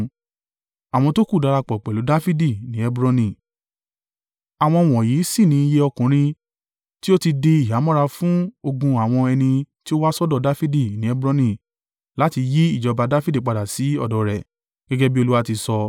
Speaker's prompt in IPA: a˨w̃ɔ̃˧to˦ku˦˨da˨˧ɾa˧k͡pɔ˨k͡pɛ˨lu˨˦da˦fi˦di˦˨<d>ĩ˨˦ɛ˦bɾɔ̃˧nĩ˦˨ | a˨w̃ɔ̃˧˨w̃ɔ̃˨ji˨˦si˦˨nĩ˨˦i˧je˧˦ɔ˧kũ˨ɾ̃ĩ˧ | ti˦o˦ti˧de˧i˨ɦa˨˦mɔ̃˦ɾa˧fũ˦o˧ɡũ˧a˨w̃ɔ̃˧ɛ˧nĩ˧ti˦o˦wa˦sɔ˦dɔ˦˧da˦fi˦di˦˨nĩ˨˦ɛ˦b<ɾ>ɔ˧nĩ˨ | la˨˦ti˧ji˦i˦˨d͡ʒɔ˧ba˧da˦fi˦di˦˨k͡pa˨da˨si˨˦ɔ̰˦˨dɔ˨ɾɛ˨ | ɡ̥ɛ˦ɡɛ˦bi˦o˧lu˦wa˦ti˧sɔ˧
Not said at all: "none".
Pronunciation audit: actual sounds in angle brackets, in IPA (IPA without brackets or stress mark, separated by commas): n, ɾ